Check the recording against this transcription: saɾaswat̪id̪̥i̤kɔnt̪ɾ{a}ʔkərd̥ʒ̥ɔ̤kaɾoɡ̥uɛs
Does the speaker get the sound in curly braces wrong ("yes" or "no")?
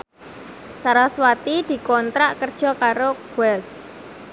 no